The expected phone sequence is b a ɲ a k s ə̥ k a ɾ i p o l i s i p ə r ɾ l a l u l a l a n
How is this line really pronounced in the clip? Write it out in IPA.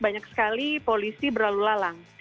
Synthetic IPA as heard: b a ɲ a k s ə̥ k a l i p o l i s i b ə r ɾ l a l u l a l a ŋ